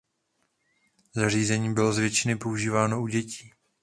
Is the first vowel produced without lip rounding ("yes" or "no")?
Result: yes